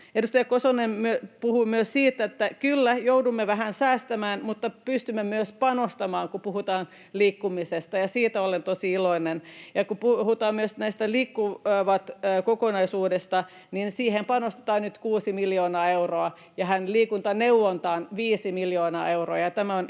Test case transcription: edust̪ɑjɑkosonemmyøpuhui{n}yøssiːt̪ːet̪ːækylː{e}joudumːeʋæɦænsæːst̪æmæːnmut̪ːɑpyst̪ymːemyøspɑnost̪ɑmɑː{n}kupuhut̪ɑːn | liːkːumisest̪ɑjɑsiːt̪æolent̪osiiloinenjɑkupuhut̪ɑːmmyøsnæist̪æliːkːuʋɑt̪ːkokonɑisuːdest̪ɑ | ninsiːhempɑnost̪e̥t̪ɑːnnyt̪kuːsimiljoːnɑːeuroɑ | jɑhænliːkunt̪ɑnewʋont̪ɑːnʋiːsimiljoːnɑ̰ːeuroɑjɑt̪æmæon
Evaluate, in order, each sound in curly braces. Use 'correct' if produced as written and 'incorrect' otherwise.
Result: incorrect, incorrect, incorrect

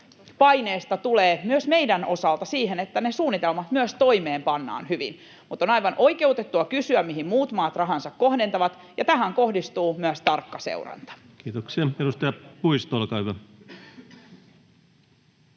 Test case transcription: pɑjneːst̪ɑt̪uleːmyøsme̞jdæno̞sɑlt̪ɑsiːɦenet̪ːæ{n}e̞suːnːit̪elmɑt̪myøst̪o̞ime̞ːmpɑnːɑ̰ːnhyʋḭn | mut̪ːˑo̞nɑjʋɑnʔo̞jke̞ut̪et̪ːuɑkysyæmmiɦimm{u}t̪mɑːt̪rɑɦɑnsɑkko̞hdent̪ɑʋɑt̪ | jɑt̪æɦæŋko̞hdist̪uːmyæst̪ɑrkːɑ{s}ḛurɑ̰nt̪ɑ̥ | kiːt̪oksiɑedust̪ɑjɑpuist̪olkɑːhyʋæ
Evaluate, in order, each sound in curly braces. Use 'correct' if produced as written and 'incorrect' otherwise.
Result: correct, incorrect, correct

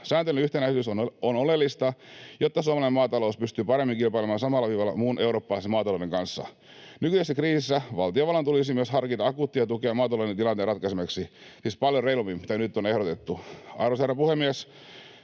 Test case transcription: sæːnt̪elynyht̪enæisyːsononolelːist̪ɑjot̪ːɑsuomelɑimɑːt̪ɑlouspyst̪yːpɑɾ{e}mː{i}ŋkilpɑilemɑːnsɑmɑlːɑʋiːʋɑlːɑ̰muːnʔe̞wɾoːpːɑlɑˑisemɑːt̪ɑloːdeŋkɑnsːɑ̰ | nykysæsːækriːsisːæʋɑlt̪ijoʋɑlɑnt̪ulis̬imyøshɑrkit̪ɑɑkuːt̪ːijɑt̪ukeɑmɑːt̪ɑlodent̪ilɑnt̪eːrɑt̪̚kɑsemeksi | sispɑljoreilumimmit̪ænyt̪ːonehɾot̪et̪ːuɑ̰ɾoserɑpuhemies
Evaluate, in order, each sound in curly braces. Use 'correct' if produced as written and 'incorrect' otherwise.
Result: correct, correct

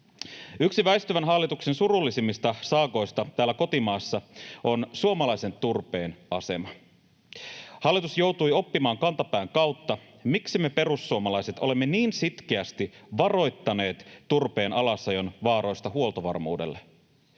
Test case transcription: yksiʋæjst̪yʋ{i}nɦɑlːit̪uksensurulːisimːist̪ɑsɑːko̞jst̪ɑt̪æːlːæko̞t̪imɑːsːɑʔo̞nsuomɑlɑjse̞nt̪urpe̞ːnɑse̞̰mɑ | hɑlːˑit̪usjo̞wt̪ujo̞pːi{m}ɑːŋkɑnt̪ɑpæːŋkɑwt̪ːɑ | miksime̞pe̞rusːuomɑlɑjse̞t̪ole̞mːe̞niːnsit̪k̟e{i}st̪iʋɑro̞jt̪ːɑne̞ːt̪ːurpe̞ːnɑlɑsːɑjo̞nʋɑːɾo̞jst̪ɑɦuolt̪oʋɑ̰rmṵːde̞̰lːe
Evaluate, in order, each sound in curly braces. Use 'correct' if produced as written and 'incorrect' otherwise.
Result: incorrect, correct, incorrect

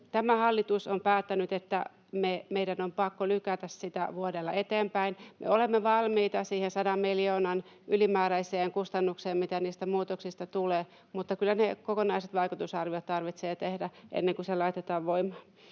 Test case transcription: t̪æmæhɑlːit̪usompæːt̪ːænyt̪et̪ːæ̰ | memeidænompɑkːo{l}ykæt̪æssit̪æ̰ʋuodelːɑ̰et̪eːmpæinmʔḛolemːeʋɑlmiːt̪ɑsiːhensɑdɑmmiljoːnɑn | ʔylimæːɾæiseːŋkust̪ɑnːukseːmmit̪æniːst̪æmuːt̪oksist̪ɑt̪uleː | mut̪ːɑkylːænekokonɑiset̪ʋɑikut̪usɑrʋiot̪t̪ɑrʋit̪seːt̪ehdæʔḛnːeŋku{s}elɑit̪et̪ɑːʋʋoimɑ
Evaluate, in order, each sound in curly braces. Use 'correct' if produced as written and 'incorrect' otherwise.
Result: correct, correct

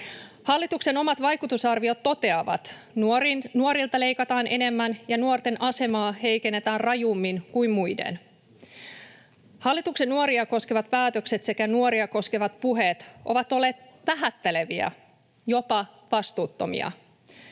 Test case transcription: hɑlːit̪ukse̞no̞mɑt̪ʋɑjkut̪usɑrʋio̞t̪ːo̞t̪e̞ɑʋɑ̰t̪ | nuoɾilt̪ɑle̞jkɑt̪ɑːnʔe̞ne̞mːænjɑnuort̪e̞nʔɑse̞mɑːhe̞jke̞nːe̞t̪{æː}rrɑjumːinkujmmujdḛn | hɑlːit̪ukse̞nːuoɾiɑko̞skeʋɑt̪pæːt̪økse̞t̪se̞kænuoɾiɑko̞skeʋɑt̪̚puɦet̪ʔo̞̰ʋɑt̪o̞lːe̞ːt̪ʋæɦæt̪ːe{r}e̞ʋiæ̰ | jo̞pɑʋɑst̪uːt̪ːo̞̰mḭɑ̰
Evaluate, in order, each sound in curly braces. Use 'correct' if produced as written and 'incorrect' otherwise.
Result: correct, incorrect

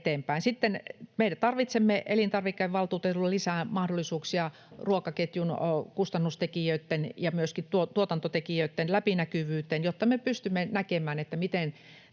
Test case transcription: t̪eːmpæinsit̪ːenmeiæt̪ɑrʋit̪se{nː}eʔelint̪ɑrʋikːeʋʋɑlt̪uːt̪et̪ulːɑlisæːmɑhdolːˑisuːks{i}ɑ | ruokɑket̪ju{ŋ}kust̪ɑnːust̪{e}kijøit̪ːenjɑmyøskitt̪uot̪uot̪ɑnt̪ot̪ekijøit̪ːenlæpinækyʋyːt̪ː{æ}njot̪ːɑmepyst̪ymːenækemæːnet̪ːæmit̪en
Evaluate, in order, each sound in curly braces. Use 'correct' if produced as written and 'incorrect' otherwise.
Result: incorrect, correct, incorrect, correct, incorrect

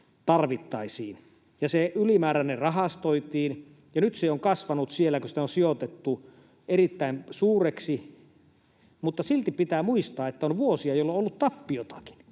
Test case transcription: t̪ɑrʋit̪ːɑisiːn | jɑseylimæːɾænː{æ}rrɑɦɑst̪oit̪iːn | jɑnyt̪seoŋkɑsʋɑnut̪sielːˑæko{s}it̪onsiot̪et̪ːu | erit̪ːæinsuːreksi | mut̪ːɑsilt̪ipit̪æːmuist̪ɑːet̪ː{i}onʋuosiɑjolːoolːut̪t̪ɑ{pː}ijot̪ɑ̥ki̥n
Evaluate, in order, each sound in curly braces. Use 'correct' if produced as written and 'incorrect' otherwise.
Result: incorrect, correct, incorrect, correct

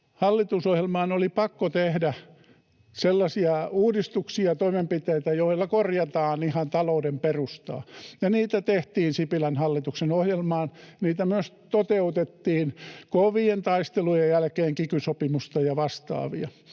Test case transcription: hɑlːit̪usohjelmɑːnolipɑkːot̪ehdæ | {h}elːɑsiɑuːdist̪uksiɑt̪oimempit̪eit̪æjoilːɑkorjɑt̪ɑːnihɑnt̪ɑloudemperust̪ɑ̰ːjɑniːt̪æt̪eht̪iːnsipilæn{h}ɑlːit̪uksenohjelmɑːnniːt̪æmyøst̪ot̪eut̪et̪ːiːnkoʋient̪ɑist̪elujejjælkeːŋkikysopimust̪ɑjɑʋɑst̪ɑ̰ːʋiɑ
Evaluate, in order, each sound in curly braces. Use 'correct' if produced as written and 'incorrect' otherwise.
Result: incorrect, correct

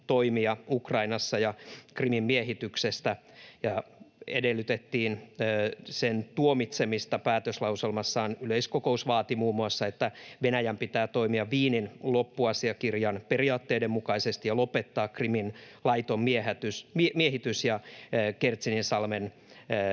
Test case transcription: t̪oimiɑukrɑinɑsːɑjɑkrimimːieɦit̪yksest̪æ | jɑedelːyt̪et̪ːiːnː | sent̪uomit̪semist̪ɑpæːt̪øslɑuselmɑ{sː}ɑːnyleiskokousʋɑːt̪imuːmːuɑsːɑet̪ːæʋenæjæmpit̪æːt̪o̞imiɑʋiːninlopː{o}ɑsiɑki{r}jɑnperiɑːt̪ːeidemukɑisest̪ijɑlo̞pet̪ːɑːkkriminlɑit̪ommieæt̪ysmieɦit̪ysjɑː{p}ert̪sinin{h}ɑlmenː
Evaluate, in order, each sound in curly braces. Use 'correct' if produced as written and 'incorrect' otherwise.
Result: correct, incorrect, correct, incorrect, incorrect

